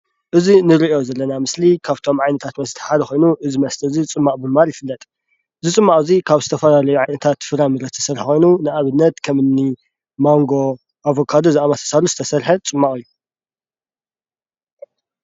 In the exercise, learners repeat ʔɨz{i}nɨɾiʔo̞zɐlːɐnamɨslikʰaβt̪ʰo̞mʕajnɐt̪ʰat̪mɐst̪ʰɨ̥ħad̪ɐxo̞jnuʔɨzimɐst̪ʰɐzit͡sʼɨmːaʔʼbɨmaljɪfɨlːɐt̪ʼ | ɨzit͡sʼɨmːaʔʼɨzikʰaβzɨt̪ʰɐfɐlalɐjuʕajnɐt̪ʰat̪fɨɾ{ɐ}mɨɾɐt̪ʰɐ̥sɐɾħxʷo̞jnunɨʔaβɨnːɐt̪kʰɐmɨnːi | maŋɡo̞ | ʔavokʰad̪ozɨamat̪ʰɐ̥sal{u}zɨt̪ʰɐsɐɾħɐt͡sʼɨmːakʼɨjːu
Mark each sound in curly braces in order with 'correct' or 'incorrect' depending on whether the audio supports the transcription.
correct, incorrect: a, correct

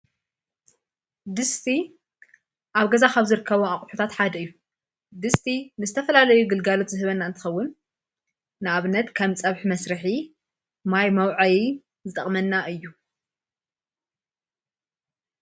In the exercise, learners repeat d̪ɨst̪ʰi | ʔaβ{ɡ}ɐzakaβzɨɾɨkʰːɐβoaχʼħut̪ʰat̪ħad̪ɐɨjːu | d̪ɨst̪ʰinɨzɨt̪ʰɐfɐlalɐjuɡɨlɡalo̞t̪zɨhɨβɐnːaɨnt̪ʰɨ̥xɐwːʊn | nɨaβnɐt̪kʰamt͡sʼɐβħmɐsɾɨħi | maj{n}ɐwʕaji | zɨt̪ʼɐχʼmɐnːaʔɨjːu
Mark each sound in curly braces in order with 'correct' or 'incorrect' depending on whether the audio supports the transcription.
correct, incorrect: m

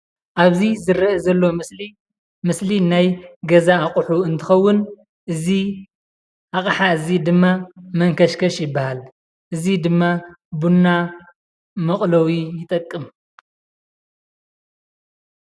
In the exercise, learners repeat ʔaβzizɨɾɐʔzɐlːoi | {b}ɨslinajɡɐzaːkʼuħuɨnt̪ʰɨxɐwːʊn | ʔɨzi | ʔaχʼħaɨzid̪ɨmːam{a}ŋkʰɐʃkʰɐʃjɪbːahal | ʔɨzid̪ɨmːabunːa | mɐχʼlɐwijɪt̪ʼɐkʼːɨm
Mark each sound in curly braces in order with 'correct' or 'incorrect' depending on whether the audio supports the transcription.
incorrect: m, incorrect: ɐ

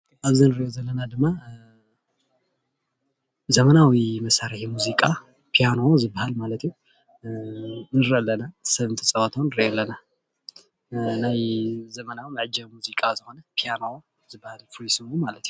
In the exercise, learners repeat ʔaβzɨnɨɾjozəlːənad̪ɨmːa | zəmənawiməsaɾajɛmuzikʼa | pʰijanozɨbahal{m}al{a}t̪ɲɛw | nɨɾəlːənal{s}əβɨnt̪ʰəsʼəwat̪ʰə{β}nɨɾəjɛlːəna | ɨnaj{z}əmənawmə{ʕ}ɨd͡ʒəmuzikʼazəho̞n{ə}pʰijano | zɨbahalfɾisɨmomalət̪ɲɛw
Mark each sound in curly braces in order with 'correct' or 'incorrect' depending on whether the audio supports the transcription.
correct, incorrect: ə, correct, incorrect: w, correct, correct, correct

